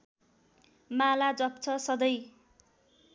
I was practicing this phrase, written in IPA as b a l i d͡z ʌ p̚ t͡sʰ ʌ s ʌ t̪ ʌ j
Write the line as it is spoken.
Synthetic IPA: m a l a d͡z ʌ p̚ t͡sʰ ʌ s ʌ d̪ ʌ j